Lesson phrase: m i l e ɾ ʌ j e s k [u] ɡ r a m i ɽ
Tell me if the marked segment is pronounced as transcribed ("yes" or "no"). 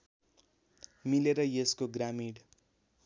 no